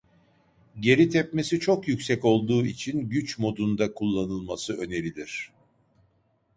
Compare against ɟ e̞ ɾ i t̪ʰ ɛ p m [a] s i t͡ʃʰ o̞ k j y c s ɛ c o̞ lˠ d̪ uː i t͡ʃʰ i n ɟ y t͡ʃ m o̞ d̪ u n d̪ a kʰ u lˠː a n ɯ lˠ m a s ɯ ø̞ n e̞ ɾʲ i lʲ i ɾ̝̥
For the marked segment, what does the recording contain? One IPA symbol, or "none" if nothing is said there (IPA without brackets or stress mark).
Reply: e